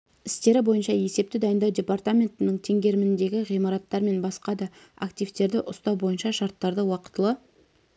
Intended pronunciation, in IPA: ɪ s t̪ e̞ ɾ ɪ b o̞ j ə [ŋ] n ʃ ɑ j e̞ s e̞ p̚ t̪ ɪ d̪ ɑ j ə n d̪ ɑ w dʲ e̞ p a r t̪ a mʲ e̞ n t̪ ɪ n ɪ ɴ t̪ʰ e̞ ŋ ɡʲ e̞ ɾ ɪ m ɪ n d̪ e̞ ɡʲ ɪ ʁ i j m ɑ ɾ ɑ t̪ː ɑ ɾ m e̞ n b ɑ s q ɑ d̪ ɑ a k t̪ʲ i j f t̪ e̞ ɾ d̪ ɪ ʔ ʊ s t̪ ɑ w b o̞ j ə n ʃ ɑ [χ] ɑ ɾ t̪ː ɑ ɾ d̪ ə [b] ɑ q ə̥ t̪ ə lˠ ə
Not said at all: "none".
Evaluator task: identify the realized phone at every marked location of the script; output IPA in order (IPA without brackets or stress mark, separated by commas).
none, ʃ, w